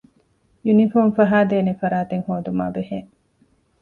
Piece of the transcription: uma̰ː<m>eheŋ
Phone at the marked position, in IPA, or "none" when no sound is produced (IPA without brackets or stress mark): b